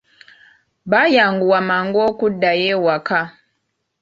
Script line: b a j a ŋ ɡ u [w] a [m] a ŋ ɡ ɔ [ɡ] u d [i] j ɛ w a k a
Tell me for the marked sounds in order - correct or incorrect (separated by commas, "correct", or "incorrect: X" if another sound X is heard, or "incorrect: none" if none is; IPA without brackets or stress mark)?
correct, correct, incorrect: k, incorrect: a